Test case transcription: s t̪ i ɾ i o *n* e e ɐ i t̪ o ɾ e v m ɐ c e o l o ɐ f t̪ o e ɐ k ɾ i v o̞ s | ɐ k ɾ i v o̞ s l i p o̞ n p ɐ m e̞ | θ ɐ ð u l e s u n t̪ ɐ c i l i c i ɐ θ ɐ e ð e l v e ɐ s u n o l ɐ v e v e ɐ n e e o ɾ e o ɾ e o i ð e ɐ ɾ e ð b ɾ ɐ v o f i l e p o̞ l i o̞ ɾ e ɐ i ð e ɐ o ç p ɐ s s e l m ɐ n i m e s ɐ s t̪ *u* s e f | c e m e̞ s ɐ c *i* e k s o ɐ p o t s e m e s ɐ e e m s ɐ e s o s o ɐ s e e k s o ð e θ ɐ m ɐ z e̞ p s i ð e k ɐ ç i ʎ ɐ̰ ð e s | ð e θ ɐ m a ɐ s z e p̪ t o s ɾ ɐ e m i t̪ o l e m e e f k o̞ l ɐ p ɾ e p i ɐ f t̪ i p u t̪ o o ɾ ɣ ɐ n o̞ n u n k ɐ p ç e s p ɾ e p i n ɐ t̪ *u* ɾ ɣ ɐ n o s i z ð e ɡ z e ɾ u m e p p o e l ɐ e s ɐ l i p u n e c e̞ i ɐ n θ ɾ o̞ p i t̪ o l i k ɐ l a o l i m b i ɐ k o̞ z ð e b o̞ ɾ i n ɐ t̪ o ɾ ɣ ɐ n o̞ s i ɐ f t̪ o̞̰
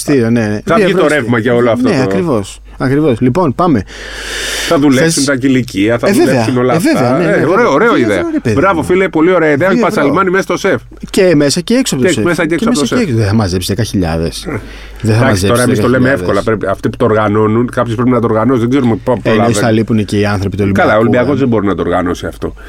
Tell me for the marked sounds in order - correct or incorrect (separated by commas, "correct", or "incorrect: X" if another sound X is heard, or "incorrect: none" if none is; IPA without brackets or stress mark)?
correct, incorrect: o, incorrect: e, incorrect: o